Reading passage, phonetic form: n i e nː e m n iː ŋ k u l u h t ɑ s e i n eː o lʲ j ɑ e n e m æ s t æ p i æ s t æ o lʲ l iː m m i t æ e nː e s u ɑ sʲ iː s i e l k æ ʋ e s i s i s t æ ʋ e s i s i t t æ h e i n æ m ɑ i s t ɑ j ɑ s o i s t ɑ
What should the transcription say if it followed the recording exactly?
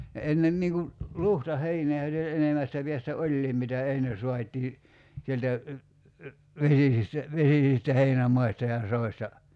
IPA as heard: n e e nː e m n iː ŋ k u l u h t ɑ h e i n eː o lʲ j ɑ e n e m æ s t æ p i æ s t æ o lʲ l iː m m i t æ e nː e s u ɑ tʲ iː s i e l t æ ʋ e s i s i s t æ ʋ e s i s i s t æ h e i n æ m ɑ i s t ɑ j ɑ s o i s t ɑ